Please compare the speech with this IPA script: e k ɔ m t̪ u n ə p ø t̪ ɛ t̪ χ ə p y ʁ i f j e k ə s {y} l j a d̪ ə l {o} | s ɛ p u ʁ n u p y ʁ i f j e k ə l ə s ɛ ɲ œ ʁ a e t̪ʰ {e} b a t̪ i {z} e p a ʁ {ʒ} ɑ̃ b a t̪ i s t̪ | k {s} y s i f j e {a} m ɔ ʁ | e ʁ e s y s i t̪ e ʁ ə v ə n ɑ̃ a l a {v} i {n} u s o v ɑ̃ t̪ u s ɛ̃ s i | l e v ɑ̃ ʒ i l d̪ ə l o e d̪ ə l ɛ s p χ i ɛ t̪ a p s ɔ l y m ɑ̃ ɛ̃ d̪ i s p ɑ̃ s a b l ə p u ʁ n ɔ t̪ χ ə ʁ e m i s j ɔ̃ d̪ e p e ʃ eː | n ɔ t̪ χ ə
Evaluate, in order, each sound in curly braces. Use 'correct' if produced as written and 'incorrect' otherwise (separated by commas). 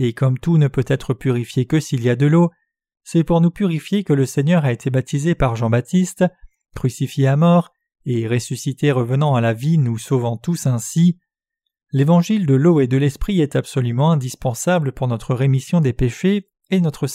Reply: incorrect, correct, correct, correct, correct, incorrect, correct, correct, correct